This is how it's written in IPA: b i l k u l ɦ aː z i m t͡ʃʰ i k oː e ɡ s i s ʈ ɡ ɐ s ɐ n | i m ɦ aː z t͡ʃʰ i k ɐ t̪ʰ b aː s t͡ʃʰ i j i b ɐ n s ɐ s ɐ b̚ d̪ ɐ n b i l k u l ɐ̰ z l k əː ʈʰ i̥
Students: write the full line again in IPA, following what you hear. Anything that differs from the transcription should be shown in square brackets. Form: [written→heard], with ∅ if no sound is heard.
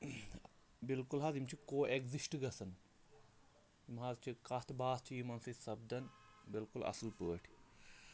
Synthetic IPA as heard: b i l k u l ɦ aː z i m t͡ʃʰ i k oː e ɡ [s→z] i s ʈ ɡ ɐ s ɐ n | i m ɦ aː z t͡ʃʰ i k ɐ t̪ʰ b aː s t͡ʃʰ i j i [b→m] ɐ n s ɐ s ɐ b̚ d̪ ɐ n b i l k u l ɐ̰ [z→s] l [k→p] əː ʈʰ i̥

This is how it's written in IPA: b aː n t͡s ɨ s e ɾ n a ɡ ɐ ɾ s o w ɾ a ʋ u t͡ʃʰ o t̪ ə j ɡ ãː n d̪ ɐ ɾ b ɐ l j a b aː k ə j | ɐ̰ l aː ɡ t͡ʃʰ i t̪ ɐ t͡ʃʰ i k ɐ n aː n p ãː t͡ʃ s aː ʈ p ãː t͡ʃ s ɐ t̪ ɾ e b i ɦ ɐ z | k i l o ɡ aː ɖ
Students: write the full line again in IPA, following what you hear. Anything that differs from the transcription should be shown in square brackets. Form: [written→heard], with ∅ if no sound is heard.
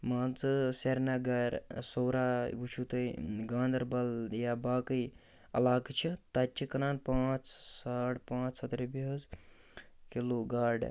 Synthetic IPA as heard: [b→m] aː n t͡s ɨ s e ɾ n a ɡ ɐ ɾ s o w ɾ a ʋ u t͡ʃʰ [o→u] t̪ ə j ɡ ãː n d̪ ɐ ɾ b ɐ l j a b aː k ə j | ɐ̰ l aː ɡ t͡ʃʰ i t̪ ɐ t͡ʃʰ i k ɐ n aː n p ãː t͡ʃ s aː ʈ p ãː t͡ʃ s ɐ t̪ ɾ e b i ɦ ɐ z | k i l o ɡ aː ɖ

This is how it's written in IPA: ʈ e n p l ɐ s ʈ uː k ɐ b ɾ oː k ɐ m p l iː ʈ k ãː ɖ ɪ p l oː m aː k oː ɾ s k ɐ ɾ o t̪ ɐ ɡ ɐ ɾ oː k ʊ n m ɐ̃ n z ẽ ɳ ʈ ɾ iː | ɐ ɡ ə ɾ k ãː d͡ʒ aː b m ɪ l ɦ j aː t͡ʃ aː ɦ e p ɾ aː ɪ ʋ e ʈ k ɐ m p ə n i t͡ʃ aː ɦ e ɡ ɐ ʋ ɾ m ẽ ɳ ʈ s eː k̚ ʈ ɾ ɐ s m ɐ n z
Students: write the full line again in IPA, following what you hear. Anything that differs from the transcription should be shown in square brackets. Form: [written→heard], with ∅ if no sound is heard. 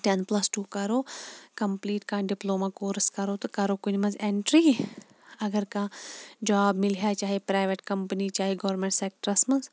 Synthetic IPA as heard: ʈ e n p l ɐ s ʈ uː k ɐ [b→∅] ɾ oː k ɐ m p l iː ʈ k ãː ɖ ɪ p l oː m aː k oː ɾ s k ɐ ɾ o t̪ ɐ [ɡ→k] ɐ ɾ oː k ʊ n m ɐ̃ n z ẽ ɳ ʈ ɾ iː | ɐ ɡ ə ɾ k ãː d͡ʒ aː b m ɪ l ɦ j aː t͡ʃ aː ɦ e p ɾ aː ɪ ʋ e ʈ k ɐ m p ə n i t͡ʃ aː ɦ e ɡ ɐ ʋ ɾ m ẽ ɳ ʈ s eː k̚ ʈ ɾ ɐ s m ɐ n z

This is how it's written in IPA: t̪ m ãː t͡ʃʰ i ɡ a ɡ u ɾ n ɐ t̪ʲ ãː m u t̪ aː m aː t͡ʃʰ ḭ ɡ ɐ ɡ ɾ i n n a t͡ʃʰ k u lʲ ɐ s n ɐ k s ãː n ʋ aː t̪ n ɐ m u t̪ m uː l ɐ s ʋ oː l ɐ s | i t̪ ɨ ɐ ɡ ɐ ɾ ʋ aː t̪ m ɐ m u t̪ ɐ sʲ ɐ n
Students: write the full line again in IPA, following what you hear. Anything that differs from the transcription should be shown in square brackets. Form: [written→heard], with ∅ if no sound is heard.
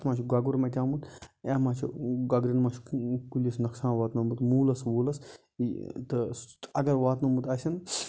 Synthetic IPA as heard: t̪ m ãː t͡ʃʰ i ɡ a ɡ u ɾ [n→m] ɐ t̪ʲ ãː m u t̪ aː m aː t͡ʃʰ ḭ ɡ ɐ ɡ ɾ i n [n→m] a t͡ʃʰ k u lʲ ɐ s n ɐ k s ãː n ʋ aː t̪ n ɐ m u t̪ m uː l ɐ s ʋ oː l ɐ s | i t̪ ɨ ɐ ɡ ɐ ɾ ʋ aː t̪ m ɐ m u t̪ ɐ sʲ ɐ n

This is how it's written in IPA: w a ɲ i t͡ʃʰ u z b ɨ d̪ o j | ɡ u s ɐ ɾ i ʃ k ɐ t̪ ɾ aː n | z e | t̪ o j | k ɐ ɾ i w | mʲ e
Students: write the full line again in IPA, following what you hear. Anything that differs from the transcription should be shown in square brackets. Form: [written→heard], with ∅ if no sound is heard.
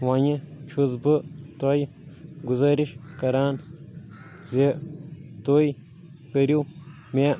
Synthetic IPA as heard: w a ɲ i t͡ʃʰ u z b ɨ [d̪→t̪] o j | ɡ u [s→z] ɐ ɾ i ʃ k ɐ [t̪→∅] ɾ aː n | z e | t̪ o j | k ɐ ɾ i w | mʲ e

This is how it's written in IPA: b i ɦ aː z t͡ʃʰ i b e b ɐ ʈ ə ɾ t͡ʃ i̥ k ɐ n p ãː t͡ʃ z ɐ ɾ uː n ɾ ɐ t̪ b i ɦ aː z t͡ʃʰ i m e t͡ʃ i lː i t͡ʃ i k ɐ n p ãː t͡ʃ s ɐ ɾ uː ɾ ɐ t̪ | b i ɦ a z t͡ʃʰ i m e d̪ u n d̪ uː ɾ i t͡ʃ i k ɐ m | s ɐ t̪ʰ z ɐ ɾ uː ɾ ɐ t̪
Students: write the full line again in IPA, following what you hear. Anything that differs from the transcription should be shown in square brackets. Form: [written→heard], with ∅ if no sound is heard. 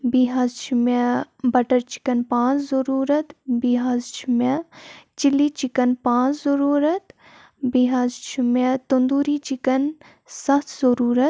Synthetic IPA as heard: b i ɦ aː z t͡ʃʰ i [b→m] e b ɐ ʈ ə ɾ t͡ʃ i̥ k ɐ n p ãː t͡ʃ z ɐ ɾ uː [n→∅] ɾ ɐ t̪ b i ɦ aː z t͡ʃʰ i m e t͡ʃ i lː i t͡ʃ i k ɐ n p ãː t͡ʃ [s→z] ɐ ɾ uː ɾ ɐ t̪ | b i ɦ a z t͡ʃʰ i m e [d̪→t̪] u n d̪ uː ɾ i t͡ʃ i k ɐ [m→n] | s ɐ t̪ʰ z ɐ ɾ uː ɾ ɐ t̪

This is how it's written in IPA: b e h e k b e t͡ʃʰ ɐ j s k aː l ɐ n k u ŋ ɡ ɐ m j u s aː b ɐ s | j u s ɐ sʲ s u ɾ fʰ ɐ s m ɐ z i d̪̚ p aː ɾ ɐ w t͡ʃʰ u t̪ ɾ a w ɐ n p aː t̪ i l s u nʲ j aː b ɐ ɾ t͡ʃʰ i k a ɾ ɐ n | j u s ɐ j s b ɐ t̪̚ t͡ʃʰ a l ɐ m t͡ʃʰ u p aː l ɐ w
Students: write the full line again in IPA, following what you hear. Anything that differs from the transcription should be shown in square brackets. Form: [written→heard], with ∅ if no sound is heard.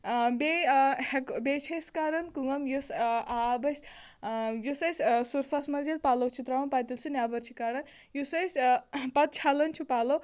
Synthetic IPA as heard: b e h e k b e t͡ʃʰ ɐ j s k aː [l→ɾ] ɐ n k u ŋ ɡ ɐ m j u s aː b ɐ s | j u s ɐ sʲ s u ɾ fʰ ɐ s m ɐ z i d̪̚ p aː [ɾ→l] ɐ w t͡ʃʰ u t̪ ɾ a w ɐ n p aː t̪ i l s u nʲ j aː b ɐ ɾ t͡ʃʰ i k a ɾ ɐ n | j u s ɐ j s [b→p] ɐ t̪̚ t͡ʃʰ a l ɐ [m→n] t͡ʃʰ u p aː l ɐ w

